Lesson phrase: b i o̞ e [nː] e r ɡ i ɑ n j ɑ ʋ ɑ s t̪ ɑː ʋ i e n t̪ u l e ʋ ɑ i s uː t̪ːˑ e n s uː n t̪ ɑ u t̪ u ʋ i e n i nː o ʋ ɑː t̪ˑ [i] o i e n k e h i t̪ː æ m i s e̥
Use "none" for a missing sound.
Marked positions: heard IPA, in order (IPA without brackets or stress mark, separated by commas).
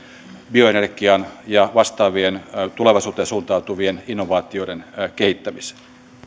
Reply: n, i